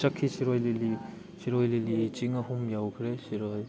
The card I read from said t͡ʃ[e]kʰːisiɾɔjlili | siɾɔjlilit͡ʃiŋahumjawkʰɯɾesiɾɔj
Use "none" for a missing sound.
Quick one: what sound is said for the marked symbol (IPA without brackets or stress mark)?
a